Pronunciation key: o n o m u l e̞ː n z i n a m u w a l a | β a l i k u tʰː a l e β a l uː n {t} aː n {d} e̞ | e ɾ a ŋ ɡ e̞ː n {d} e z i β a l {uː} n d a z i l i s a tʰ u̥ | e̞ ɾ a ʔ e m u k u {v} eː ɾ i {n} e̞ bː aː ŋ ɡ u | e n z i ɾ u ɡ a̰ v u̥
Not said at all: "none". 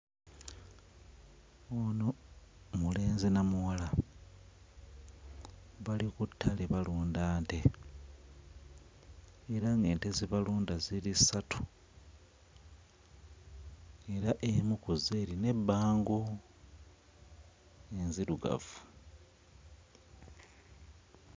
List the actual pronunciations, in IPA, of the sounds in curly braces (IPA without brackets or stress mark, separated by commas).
d, t, t, uː, z, n